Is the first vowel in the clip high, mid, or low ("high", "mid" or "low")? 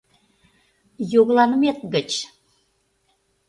mid